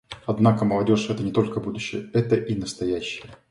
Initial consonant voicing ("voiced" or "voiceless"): voiced